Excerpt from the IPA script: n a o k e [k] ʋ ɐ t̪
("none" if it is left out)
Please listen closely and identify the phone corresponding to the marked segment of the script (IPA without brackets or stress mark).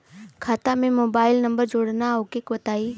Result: k